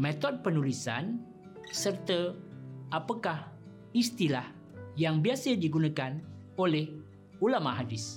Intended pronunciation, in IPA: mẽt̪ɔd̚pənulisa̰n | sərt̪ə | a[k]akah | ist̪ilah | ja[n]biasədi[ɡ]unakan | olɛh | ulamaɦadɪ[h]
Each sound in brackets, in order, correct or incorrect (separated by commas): incorrect, incorrect, correct, incorrect